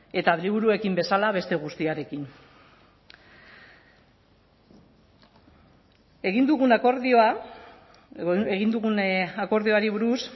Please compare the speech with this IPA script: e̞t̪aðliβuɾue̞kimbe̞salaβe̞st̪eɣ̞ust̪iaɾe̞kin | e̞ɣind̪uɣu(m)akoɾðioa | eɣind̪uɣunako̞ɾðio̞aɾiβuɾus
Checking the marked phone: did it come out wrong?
yes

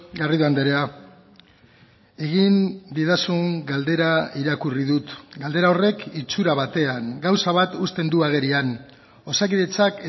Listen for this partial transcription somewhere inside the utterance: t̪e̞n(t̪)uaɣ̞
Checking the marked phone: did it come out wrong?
yes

